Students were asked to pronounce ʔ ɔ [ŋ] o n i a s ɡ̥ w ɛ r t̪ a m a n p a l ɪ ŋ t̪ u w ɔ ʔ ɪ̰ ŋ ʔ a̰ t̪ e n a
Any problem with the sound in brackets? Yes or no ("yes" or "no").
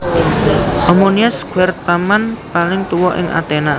yes